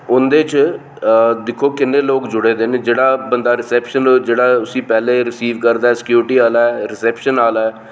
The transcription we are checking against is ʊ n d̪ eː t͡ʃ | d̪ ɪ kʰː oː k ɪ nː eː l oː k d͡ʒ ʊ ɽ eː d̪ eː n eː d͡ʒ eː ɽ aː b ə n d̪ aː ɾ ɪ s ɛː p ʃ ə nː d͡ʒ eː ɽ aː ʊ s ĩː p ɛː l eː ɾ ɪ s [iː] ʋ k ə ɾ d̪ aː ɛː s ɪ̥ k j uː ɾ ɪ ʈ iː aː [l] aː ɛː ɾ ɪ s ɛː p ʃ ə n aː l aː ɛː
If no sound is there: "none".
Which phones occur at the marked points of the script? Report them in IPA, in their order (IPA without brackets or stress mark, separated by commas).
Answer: iː, l